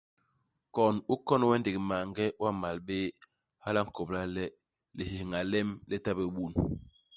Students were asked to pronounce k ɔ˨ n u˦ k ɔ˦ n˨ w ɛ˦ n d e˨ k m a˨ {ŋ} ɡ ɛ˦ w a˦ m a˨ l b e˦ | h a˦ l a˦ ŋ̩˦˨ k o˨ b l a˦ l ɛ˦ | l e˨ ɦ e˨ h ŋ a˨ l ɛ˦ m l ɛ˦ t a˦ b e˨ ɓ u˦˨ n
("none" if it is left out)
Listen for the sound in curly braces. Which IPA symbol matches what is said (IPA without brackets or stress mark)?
ŋ